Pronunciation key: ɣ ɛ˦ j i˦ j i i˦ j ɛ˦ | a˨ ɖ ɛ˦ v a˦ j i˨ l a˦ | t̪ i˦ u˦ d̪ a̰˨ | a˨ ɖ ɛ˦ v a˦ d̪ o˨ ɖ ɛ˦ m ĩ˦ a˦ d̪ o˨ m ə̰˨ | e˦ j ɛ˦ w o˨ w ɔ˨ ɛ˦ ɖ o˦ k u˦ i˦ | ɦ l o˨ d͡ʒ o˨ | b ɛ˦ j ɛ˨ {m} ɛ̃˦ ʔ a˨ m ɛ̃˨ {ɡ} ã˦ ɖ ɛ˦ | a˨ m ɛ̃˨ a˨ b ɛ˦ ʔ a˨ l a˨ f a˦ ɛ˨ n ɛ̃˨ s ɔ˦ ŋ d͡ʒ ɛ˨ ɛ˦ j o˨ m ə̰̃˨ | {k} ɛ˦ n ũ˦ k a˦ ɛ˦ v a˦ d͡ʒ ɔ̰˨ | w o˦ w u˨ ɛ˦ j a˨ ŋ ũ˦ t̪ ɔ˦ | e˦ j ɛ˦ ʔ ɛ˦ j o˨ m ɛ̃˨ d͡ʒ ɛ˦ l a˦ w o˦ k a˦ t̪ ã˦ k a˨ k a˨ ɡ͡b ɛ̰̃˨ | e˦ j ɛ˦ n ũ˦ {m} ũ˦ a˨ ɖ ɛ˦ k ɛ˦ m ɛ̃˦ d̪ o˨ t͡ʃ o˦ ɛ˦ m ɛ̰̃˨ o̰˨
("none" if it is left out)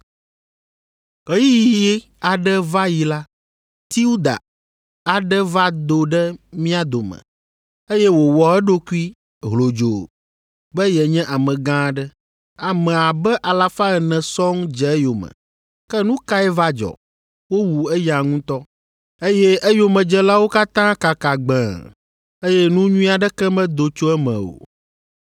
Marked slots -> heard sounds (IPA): ɲ, ɡ, k, ɲ

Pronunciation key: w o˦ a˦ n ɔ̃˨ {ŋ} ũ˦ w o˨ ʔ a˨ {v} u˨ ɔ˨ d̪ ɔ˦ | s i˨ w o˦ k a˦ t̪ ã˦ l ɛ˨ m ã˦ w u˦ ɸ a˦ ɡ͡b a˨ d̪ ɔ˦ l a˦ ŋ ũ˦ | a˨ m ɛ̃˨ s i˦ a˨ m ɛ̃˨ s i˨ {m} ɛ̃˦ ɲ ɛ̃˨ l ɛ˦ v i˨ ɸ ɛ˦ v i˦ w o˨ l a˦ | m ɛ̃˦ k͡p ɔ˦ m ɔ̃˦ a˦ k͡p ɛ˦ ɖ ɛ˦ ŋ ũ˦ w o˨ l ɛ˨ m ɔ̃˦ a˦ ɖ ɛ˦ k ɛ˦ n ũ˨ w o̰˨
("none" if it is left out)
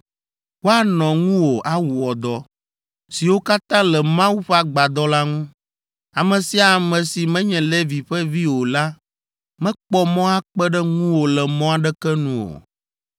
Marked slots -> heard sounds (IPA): ŋ, w, m

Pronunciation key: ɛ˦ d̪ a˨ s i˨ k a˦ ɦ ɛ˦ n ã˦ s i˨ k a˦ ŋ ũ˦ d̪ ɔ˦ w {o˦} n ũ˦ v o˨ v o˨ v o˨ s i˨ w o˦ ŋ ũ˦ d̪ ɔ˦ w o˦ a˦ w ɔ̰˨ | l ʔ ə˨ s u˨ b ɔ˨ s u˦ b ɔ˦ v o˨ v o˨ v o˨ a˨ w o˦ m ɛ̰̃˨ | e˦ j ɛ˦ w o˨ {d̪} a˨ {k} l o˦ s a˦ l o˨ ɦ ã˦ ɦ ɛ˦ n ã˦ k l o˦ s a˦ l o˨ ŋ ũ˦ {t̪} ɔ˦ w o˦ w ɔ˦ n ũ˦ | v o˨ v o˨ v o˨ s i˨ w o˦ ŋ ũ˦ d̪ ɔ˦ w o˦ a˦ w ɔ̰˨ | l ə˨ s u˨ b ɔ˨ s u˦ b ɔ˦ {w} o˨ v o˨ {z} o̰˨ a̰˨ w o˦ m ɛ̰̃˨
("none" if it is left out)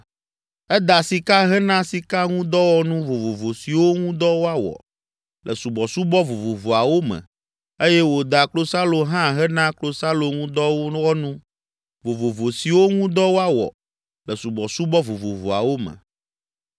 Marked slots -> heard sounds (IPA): ɔ˦, d̪, k, d̪, v, v

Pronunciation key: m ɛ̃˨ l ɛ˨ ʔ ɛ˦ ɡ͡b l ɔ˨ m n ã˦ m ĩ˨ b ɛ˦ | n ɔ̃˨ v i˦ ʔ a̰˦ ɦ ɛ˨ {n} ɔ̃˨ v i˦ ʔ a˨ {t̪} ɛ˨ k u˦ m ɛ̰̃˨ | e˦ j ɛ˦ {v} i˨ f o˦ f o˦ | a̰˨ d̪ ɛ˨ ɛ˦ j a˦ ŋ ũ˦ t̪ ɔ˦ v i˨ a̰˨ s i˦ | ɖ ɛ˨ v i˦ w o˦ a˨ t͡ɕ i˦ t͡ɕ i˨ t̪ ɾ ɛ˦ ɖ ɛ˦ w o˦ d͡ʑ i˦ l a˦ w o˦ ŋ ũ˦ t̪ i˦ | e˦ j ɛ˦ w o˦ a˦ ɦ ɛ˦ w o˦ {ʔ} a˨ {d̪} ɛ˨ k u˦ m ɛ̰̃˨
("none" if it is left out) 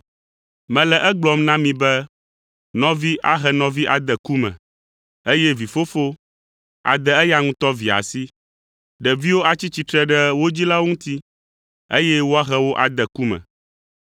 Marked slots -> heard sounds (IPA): n, d̪, v, ʔ, d̪

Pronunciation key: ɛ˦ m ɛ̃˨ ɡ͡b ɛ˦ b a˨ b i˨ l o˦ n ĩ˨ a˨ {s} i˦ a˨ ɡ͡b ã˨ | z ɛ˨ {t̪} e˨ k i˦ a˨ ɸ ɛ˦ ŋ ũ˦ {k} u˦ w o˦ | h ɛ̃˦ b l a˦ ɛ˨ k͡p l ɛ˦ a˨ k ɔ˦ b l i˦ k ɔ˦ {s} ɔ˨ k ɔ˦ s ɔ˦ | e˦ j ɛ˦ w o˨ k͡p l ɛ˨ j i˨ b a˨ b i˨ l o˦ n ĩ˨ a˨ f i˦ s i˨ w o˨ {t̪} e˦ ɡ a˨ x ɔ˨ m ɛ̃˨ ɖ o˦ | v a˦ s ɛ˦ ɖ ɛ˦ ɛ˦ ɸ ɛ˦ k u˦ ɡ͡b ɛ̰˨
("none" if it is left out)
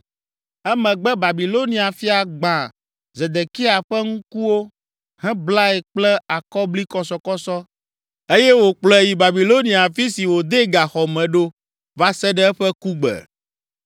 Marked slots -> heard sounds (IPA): f, d̪, k, s, d̪

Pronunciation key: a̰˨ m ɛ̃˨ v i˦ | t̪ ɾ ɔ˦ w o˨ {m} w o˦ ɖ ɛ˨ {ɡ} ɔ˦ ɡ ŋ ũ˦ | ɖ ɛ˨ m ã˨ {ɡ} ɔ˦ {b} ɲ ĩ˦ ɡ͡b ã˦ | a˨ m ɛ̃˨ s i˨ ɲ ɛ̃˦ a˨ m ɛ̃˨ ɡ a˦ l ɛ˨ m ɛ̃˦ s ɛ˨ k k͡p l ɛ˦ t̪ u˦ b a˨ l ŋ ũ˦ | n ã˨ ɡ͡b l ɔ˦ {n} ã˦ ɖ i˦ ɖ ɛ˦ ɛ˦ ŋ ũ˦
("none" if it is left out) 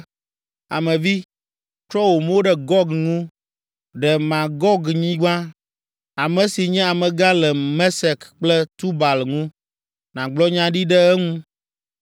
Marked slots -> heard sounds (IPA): m, ɡ, ɡ, ɡ, ɲ

